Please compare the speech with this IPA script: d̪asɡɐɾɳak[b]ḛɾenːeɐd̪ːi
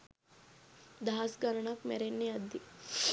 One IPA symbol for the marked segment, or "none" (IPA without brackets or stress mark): m